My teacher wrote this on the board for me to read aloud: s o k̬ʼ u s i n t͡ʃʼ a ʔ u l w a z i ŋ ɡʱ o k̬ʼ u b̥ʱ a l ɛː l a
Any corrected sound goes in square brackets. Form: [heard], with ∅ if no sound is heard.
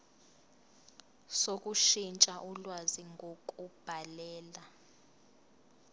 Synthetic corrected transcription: s o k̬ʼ u [ʃ] i n t͡ʃʼ a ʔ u l w a z i ŋ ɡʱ o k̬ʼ u b̥ʱ a l ɛː l a